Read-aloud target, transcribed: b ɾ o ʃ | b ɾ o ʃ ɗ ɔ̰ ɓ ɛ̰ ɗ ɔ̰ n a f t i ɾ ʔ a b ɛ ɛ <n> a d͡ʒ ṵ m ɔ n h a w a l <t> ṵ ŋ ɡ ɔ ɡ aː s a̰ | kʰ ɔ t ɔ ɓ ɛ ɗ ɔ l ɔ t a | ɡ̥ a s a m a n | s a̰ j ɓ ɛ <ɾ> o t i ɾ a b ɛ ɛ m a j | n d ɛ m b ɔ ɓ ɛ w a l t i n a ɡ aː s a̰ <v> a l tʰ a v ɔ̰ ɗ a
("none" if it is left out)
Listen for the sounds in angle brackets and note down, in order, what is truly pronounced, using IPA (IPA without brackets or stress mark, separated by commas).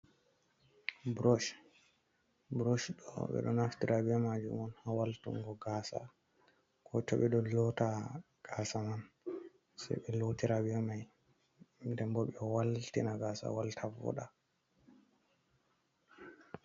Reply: m, t, l, w